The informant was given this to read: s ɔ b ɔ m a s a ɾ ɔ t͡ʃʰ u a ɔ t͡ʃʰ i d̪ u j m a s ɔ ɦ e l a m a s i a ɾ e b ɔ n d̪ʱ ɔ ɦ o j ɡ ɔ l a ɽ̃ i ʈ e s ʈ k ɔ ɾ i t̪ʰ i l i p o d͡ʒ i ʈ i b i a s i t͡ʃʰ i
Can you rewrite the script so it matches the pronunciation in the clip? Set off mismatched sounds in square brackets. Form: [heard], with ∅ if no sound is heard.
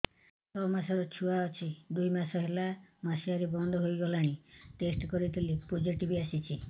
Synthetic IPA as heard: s ɔ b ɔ m a s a ɾ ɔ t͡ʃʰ u a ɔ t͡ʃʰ i d̪ u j m a s ɔ ɦ e l a m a s i a ɾ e b ɔ n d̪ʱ ɔ ɦ o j ɡ ɔ l a ɽ̃ i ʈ e s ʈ k ɔ ɾ i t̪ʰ i l i p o d͡ʒ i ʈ i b i a s i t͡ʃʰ i